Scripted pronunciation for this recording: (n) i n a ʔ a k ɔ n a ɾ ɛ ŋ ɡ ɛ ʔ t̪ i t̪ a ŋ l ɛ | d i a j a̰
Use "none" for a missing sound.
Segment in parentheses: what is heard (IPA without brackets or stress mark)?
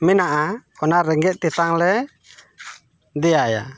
m